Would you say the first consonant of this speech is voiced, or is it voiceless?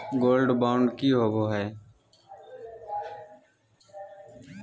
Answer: voiced